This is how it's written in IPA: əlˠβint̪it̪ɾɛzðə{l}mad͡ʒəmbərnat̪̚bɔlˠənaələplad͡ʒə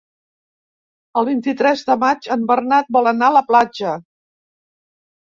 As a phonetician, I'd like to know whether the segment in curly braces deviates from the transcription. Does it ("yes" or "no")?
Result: yes